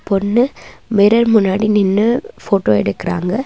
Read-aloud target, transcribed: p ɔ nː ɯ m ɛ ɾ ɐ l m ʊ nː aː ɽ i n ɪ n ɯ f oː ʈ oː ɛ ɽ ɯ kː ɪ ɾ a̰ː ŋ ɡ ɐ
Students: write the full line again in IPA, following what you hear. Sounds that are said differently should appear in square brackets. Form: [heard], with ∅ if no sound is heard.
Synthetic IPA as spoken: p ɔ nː ɯ m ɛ ɾ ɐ [ɾ] m ʊ nː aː ɽ i n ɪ [nː] ɯ f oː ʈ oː ɛ ɽ ɯ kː ɪ ɾ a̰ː ŋ ɡ ɐ